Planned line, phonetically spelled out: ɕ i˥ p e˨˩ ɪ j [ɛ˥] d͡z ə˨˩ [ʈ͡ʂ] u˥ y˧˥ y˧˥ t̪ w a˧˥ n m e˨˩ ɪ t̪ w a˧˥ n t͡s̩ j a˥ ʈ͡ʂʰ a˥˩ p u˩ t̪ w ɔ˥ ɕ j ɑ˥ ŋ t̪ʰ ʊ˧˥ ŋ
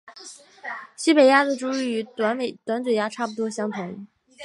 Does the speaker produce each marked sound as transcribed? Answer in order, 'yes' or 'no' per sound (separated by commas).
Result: no, yes